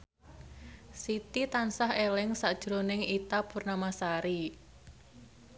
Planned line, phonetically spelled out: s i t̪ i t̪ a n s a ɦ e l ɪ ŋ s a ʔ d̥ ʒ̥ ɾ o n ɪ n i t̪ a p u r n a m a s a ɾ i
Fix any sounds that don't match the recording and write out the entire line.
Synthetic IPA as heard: s i t̪ i t̪ a n s a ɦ e l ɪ ŋ s a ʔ d̥ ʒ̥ ɾ o n ɪ ŋ i t̪ a p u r n a m a s a ɾ i